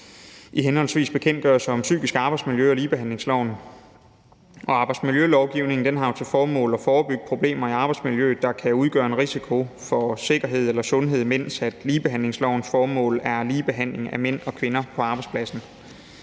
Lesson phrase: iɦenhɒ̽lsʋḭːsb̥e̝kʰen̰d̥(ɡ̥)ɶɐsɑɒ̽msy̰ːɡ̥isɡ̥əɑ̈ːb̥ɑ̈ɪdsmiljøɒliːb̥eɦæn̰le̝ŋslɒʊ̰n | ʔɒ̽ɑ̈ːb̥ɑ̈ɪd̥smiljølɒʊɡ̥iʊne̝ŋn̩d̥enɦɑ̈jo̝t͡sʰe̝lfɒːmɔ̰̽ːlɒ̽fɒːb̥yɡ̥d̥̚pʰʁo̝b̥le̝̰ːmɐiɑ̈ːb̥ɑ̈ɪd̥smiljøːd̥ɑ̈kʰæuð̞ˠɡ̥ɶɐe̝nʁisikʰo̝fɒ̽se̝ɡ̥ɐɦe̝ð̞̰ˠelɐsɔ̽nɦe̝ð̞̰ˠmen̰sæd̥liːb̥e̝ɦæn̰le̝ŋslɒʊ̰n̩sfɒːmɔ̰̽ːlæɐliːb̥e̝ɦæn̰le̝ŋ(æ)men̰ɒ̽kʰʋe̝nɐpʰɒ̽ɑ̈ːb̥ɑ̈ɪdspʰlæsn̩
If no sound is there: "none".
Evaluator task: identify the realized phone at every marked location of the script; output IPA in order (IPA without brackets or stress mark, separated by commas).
ɡ̥, æ